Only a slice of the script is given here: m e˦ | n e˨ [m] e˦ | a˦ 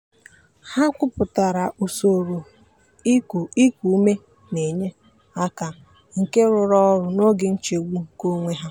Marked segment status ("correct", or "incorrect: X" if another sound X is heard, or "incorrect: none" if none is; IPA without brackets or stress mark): incorrect: ɲ